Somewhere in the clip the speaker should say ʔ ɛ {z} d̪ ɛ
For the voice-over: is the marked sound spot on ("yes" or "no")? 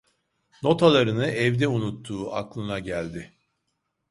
no